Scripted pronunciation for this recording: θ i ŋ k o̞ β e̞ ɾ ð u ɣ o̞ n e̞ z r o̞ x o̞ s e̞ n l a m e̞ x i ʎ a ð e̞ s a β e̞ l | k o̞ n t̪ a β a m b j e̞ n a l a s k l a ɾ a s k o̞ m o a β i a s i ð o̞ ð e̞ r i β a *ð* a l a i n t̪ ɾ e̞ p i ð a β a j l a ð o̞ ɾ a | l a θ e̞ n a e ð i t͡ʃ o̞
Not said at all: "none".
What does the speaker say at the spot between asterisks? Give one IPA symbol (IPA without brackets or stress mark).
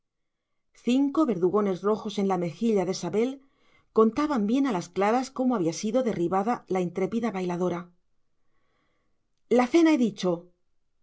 ð